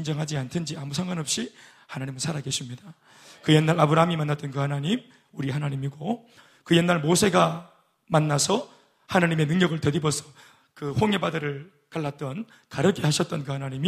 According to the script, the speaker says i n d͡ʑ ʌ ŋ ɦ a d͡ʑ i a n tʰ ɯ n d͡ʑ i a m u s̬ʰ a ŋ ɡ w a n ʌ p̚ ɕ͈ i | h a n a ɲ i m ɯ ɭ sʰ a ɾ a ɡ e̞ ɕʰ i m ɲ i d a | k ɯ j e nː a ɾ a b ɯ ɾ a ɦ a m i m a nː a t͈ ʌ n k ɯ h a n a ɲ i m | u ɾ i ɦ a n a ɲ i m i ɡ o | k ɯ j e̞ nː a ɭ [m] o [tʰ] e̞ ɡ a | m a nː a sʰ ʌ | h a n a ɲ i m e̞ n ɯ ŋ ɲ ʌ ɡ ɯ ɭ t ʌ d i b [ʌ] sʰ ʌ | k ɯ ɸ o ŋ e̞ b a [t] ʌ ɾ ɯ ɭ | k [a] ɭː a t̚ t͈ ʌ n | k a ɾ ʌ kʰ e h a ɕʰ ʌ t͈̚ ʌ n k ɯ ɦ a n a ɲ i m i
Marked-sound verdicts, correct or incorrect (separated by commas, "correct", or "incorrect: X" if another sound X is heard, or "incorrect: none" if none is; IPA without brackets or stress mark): correct, incorrect: sʰ, correct, incorrect: d, correct